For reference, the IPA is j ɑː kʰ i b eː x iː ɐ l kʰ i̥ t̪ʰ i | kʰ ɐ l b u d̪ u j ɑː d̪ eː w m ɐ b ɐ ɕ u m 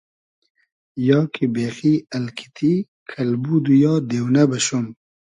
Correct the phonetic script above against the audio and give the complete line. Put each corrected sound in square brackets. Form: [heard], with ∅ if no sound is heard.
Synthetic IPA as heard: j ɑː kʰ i b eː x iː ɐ l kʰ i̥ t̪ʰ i | kʰ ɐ l b u d̪ u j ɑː d̪ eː w [n] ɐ b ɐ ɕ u m